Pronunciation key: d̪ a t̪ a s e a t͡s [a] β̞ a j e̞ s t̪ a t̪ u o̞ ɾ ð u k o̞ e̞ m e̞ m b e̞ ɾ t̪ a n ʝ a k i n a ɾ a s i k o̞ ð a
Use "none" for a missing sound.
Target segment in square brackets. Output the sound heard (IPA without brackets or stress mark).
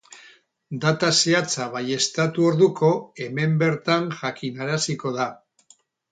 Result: a